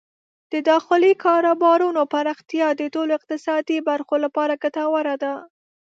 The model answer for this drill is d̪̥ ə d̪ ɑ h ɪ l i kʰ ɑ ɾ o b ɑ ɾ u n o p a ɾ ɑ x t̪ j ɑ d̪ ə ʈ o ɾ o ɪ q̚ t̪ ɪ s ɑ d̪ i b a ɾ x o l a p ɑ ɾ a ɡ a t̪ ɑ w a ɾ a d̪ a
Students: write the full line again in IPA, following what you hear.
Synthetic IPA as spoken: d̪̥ ə d̪ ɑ x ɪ l i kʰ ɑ ɾ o b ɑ ɾ u n o p a ɾ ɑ x t̪ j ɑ d̪ ə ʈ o l o ɪ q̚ t̪ ɪ s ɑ d̪ i b a ɾ x o l a p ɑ ɾ a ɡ a t̪ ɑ w a ɾ a d̪ a